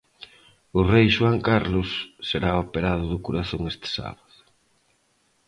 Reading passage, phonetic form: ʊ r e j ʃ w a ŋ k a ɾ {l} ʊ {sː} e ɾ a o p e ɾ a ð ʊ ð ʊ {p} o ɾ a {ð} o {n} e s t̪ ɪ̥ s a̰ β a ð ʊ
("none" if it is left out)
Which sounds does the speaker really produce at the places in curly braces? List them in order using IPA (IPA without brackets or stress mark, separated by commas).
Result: l, sː, k, θ, ŋ